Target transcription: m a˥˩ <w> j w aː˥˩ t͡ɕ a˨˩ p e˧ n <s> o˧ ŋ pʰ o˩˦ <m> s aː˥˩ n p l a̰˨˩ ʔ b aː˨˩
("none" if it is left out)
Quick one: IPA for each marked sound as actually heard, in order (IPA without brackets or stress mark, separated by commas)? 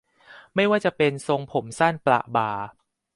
none, s, m